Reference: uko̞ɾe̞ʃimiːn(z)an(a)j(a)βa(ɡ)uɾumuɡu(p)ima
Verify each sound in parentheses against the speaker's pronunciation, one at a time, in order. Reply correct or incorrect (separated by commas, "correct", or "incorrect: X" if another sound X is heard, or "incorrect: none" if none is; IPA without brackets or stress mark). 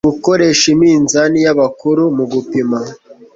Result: correct, incorrect: i, correct, incorrect: k, correct